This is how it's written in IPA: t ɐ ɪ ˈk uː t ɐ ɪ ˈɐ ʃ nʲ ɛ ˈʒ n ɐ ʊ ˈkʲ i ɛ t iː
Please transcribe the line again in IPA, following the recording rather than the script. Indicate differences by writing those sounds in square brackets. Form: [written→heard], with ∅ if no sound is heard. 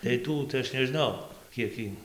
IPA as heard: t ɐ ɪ [ˈk→ˈt] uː t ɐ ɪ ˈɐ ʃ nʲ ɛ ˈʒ n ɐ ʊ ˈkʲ i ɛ [t→k] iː